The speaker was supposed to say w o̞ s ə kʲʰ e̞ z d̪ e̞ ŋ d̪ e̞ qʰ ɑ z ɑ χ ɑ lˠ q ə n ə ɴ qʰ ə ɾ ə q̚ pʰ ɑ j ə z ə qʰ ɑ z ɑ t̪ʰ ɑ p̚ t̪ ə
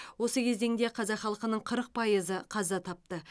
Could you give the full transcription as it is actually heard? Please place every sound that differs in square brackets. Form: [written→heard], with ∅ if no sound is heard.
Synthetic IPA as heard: w o̞ s ə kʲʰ e̞ z d̪ e̞ ŋ d̪ e̞ qʰ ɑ z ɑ χ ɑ lˠ q ə n ə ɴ qʰ ə ɾ ə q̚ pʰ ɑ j ə z ə qʰ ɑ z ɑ t̪ʰ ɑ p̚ t̪ ə